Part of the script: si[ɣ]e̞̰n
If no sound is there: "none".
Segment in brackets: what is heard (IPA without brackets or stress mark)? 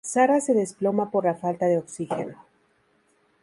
x